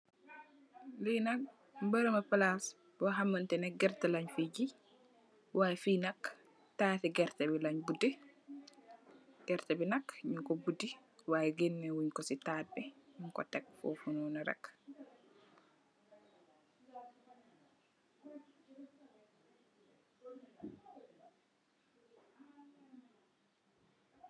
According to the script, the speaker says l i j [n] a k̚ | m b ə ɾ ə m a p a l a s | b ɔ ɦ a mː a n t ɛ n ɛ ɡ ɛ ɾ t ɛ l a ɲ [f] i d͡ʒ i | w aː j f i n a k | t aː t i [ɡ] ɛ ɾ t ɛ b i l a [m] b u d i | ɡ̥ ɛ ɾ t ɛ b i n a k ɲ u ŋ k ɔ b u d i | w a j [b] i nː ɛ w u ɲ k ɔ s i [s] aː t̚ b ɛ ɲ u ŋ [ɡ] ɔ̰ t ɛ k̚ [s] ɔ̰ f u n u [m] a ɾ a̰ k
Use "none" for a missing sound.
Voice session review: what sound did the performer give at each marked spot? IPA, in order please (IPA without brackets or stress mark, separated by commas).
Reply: n, f, ɡ, ɲ, ɡ, t, k, f, n